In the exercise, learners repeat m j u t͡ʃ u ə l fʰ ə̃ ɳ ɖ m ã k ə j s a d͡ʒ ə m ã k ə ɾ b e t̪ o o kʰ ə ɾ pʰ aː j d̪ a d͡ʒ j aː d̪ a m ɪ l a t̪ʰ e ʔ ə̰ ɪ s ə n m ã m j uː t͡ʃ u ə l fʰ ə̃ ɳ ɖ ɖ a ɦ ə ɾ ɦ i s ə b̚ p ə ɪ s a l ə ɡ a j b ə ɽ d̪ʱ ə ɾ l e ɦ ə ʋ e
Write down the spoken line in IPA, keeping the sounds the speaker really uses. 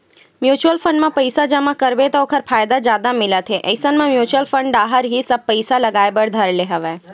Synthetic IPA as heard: m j u t͡ʃ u ə l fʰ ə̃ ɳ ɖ m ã p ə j s a d͡ʒ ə m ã k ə ɾ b e t̪ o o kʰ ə ɾ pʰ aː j d̪ a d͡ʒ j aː d̪ a m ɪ l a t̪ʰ e ʔ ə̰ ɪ s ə n m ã m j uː t͡ʃ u ə l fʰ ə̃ ɳ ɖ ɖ a ɦ ə ɾ ɦ i s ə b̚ p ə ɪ s a l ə ɡ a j b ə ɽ d̪ʱ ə ɾ l e ɦ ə ʋ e

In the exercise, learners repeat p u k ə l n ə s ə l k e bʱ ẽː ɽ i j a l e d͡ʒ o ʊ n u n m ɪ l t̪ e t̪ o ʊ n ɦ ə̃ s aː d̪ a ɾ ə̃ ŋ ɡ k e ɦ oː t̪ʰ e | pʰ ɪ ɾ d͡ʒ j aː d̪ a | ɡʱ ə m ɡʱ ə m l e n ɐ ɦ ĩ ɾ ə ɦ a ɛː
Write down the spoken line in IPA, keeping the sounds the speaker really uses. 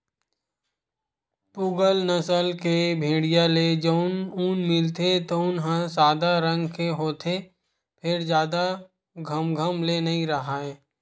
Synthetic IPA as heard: p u ɡ ə l n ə s ə l k e bʱ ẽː ɽ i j a l e d͡ʒ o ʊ n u n m ɪ l t̪ e t̪ o ʊ n ɦ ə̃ s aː d̪ a ɾ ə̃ ŋ ɡ k e ɦ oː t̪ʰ e | pʰ ɪ ɾ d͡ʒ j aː d̪ a | ɡʱ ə m ɡʱ ə m l e n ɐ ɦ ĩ ɾ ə ɦ a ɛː

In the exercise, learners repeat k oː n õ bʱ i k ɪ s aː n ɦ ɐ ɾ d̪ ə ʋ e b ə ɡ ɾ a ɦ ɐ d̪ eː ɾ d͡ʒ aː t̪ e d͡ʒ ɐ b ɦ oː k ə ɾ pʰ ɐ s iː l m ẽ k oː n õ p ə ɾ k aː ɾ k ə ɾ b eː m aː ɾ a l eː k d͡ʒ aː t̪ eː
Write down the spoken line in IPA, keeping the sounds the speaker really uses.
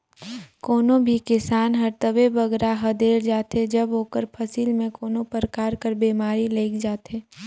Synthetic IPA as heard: k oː n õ bʱ i k ɪ s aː n ɦ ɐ ɾ t̪ ə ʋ e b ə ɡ ɾ a ɦ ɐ d̪ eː ɾ d͡ʒ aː t̪ e d͡ʒ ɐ b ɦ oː k ə ɾ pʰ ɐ s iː l m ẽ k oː n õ p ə ɾ k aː ɾ k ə ɾ b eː m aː ɾ i l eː k d͡ʒ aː t̪ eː

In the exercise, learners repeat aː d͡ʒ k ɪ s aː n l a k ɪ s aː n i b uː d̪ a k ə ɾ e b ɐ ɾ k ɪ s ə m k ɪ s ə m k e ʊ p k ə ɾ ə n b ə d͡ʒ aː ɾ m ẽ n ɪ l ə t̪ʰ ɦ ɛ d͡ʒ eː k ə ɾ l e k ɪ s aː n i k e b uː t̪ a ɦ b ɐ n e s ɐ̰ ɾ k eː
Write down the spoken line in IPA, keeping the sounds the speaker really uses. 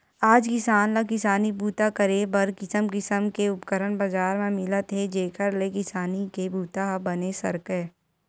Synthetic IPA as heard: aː d͡ʒ k ɪ s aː n l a k ɪ s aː n i b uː t̪ a k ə ɾ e b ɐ ɾ k ɪ s ə m k ɪ s ə m k e ʊ p k ə ɾ ə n b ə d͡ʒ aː ɾ m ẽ m ɪ l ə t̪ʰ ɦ e d͡ʒ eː k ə ɾ l e k ɪ s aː n i k e b uː t̪ a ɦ b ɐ n e s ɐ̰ ɾ k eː

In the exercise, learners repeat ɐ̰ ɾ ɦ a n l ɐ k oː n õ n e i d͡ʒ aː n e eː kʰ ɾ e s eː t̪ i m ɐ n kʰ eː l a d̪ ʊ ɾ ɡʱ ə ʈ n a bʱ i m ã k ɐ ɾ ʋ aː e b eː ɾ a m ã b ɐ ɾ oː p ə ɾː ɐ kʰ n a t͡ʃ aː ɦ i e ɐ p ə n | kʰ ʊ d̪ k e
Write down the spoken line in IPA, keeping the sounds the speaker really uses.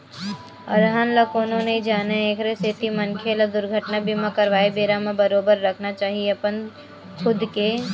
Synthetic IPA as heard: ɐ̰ ɾ ɦ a n l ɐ k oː n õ n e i d͡ʒ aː n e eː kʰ ɾ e s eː t̪ i m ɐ n kʰ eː l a d̪ ʊ ɾ ɡʱ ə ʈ n a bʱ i m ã k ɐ ɾ ʋ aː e b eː ɾ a m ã b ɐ ɾ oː b ə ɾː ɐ kʰ n a t͡ʃ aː ɦ i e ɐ p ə n | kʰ ʊ d̪ k e

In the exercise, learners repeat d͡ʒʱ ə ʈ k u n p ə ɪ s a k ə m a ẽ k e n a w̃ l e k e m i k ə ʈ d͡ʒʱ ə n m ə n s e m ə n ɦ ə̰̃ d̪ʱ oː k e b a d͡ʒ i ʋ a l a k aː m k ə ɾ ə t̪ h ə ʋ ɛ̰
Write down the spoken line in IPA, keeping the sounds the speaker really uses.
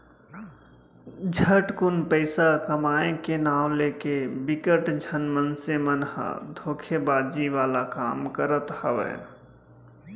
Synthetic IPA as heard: d͡ʒʱ ə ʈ k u n p ə ɪ s a k ə m a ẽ k e n a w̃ l e k e b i k ə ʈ d͡ʒʱ ə n m ə n s e m ə n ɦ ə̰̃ d̪ʱ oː kʰ e b a d͡ʒ i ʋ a l a k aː m k ə ɾ ə t̪ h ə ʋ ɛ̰

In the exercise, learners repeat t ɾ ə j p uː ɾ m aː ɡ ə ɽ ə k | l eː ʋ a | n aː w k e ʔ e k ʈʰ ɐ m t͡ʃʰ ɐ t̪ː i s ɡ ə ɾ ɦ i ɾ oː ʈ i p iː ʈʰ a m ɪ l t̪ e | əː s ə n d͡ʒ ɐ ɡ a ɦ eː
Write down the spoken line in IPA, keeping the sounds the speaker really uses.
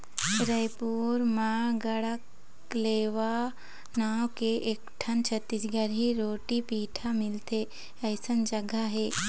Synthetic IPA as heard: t ɾ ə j p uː ɾ m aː ɡ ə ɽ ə k | l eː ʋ a | n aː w k e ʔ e k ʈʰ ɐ n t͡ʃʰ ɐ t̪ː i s ɡ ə ɾ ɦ i ɾ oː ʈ i p iː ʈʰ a m ɪ l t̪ e | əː s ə n d͡ʒ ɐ ɡ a ɦ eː

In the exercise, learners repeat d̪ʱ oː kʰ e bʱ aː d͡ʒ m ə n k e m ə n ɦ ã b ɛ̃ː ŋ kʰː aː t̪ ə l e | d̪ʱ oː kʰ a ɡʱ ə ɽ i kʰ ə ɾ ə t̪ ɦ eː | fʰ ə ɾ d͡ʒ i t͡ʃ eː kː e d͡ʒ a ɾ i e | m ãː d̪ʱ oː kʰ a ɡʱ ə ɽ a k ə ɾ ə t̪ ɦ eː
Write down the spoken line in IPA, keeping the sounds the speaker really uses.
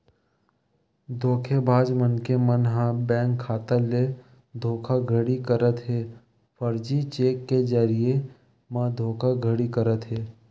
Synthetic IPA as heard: d̪ʱ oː kʰ e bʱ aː d͡ʒ m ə n k e m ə n ɦ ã b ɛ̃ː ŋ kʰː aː t̪ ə l e | d̪ʱ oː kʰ a ɡʱ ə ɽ i k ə ɾ ə t̪ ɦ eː | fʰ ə ɾ d͡ʒ i t͡ʃ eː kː e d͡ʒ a ɾ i e | m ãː d̪ʱ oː kʰ a ɡʱ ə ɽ i k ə ɾ ə t̪ ɦ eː

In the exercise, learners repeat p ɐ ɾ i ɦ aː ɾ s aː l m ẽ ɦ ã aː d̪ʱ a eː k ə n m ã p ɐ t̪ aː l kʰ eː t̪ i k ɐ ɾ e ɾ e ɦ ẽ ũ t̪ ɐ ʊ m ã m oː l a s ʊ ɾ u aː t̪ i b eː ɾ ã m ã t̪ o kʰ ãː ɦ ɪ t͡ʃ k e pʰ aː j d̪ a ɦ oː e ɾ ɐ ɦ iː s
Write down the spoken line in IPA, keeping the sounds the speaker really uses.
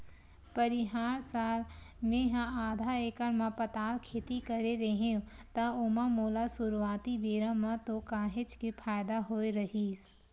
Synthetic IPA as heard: p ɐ ɾ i ɦ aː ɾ s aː l m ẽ ɦ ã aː d̪ʱ a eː k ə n m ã p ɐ t̪ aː l kʰ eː t̪ i k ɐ ɾ e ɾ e ɦ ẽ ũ t̪ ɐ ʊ m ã m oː l a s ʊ ɾ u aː t̪ i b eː ɾ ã m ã t̪ o k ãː ɦ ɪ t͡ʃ k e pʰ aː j d̪ a ɦ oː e ɾ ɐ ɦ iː s

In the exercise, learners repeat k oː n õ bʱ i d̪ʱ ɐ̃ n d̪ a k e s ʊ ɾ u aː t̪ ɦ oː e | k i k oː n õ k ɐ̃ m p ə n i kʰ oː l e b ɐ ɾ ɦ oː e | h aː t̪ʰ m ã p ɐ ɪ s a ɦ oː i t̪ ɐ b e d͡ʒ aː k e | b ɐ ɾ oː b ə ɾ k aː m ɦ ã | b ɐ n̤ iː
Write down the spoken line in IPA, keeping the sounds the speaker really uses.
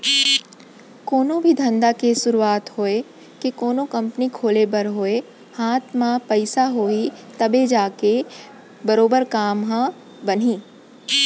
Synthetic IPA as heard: k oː n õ bʱ i d̪ʱ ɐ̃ n d̪ a k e s ʊ ɾ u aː t̪ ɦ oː e | k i k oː n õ k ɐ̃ m p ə n i kʰ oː l e b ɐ ɾ ɦ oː e | h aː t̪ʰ m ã p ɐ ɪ s a ɦ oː i t̪ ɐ b e d͡ʒ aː k e | b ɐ ɾ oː b ə ɾ k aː m ɦ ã | b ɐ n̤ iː

